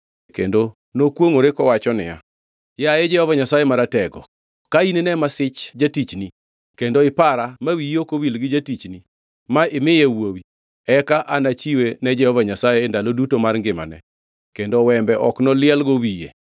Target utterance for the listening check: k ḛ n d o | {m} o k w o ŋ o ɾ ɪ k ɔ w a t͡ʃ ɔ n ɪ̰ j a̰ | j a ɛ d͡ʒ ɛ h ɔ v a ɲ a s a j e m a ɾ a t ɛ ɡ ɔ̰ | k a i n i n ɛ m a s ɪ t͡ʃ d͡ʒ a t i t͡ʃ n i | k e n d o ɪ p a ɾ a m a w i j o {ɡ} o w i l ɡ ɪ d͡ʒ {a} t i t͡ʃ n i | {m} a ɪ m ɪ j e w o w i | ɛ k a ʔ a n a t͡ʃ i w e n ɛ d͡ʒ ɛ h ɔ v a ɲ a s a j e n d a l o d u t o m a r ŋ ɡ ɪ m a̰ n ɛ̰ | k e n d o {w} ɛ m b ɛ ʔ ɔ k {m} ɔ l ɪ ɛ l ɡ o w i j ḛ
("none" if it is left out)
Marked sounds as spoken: n, k, a, m, w, n

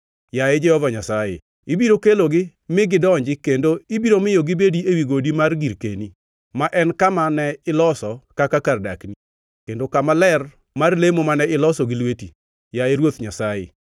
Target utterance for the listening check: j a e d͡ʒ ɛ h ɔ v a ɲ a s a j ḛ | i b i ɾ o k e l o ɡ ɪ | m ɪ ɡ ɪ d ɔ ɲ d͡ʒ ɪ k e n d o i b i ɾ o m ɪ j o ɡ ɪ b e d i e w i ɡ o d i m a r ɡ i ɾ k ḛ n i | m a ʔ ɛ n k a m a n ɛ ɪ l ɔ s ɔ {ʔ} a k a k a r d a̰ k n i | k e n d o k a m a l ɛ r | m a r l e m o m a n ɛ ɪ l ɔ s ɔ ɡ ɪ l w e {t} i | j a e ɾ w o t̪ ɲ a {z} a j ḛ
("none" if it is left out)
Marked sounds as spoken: k, t, s

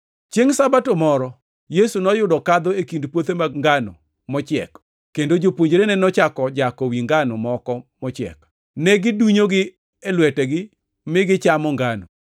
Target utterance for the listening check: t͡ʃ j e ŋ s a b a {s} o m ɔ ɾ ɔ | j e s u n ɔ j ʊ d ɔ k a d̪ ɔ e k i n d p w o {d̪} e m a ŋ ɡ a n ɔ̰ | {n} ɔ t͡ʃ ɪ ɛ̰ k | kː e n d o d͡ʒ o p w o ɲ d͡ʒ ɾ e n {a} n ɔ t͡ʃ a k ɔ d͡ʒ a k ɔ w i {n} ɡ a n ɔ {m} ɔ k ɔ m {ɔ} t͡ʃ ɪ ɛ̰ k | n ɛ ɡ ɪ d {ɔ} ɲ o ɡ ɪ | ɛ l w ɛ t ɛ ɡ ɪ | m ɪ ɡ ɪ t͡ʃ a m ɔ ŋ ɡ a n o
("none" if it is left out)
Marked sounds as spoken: t, t̪, m, ɛ, ŋ, m, ɔ, u

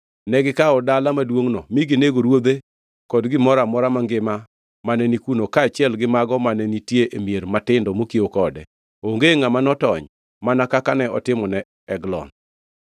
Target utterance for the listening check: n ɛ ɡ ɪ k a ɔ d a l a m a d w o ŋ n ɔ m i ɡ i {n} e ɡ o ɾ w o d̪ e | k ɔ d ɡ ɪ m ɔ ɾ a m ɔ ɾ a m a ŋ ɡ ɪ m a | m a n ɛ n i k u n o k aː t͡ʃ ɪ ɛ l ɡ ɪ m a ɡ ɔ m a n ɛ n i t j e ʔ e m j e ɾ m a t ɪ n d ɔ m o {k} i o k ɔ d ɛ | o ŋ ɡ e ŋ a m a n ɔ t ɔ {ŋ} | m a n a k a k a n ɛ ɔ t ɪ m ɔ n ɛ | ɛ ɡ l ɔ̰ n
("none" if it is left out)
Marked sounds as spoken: n, k, ɲ

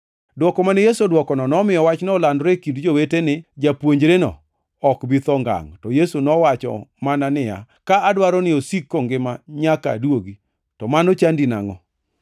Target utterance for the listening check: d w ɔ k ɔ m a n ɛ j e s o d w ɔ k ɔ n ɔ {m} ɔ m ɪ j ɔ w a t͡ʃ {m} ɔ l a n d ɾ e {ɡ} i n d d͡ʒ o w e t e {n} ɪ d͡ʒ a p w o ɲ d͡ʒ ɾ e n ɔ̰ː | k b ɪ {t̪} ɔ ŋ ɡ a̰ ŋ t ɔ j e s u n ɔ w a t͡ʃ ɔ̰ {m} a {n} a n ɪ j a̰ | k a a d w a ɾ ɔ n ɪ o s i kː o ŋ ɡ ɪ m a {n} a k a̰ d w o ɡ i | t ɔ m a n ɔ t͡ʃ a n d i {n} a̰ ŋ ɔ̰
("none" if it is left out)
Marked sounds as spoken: n, n, k, n, t̪, m, n, ɲ, n

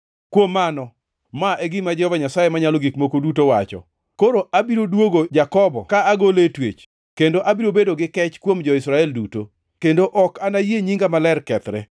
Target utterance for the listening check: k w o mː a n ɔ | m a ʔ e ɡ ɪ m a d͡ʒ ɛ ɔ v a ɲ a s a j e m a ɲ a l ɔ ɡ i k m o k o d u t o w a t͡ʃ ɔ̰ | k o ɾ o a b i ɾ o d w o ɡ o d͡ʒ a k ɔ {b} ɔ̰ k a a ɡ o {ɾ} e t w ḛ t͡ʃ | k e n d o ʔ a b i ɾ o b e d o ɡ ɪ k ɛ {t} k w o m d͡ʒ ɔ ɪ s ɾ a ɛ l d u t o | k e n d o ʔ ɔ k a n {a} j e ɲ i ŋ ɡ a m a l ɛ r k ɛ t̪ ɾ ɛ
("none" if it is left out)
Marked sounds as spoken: b, l, t͡ʃ, a

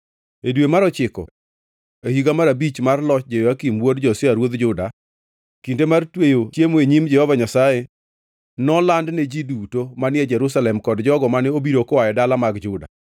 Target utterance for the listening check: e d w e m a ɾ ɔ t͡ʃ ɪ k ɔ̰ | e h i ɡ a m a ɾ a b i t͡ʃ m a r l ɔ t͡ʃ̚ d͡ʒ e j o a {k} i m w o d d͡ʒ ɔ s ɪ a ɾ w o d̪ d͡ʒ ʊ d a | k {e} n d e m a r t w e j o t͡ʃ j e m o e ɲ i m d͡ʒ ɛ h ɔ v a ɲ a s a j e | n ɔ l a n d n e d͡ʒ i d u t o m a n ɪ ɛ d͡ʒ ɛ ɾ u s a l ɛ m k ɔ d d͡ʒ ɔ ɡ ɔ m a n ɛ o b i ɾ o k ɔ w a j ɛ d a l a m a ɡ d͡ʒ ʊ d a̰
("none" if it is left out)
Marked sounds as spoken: k, i

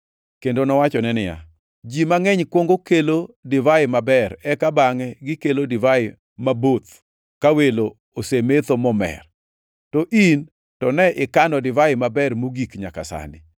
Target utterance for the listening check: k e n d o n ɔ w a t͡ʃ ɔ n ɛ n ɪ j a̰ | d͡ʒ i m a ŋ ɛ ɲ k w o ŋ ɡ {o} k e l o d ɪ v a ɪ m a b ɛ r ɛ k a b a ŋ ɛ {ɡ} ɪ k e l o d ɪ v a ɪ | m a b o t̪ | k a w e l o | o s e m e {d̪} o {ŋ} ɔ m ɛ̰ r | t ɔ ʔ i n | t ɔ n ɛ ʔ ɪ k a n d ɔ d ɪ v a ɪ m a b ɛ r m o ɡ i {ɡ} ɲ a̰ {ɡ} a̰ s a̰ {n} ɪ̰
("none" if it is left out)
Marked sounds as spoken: o, ɡ, t̪, m, k, k, n

